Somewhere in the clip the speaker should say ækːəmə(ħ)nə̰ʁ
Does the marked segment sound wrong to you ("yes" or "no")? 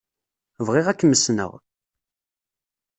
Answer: yes